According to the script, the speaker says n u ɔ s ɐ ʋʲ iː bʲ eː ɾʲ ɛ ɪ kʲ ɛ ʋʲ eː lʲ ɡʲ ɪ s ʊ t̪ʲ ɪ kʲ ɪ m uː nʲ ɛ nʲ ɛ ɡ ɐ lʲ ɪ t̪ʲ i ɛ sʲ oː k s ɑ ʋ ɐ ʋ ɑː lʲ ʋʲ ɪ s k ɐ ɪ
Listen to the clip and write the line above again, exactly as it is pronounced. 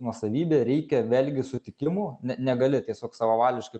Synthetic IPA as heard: n u ɔ s ɐ ʋʲ iː bʲ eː ɾʲ ɛ ɪ kʲ ɛ ʋʲ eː lʲ ɡʲ ɪ s ʊ t̪ʲ ɪ kʲ ɪ m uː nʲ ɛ nʲ ɛ ɡ ɐ lʲ ɪ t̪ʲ i ɛ sʲ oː k s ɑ ʋ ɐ ʋ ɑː lʲ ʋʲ ɪ ʃ k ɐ ɪ

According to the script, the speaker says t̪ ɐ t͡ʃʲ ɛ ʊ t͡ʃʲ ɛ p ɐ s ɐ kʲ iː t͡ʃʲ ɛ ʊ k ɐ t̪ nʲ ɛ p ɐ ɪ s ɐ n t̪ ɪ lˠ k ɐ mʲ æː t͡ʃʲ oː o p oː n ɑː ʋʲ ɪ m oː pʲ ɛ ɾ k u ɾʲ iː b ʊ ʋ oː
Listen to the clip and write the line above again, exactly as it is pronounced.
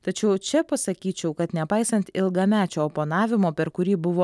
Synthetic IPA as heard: t̪ ɐ t͡ʃʲ ɛ ʊ t͡ʃʲ ɛ p ɐ s ɐ kʲ iː t͡ʃʲ ɛ ʊ k ɐ t̪ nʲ ɛ p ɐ ɪ s ɐ n t̪ ɪ lˠ ɡ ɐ mʲ æː t͡ʃʲ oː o p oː n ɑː ʋʲ ɪ m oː pʲ ɛ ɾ k ʊ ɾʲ iː b ʊ ʋ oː

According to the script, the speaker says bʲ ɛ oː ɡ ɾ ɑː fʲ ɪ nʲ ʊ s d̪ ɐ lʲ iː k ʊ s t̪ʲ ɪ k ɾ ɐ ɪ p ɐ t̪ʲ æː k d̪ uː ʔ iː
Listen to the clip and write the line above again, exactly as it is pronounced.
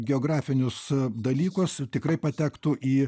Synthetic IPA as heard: ɡʲ ɛ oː ɡ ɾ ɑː fʲ ɪ nʲ ʊ s d̪ ɐ lʲ iː k ʊ s t̪ʲ ɪ k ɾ ɐ ɪ p ɐ t̪ʲ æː k t̪ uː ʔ iː

